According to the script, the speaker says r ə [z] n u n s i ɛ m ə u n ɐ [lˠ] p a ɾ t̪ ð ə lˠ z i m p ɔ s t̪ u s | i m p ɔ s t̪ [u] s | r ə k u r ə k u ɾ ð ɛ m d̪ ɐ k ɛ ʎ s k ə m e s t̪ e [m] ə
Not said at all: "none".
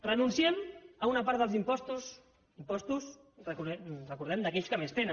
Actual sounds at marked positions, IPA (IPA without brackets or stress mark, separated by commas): none, none, u, n